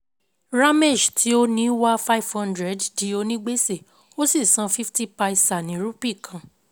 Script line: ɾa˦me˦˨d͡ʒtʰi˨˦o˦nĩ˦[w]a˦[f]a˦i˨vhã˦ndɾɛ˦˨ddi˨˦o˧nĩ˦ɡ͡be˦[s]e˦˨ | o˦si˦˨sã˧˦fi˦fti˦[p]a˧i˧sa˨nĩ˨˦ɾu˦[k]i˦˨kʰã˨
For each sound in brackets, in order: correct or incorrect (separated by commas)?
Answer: correct, correct, correct, correct, incorrect